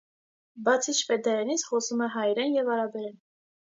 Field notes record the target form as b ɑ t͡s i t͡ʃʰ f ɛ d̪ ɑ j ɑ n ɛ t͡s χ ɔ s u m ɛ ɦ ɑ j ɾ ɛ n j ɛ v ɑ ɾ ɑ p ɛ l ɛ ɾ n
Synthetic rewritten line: b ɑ t͡sʰ i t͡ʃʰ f ɛ d̪ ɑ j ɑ n i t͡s χ ɔ s u m ɛ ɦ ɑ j ɾ ɛ n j ɛ v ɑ ɾ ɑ b ɛ ɾ ɛ n